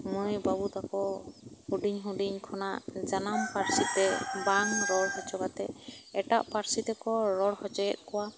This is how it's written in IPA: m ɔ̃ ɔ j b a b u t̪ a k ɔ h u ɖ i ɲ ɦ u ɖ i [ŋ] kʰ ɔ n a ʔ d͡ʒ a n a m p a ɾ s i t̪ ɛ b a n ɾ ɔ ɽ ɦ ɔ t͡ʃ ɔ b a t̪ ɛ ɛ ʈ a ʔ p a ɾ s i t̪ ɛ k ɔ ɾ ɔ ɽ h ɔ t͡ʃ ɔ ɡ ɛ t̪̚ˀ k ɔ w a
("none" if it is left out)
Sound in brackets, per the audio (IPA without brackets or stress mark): ɲ